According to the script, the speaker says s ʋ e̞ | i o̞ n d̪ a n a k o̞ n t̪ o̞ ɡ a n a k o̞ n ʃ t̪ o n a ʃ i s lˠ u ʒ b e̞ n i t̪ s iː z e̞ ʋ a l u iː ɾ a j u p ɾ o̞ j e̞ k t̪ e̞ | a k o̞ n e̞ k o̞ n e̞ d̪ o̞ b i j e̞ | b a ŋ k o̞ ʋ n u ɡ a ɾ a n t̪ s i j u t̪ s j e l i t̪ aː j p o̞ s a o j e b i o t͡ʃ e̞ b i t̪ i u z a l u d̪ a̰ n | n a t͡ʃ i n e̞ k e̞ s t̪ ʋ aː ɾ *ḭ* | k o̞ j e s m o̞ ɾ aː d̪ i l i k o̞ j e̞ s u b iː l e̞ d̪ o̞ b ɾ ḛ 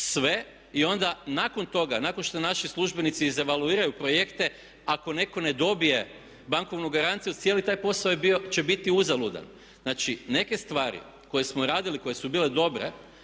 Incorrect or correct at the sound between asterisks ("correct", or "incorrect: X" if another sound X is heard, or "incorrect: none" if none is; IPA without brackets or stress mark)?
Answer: correct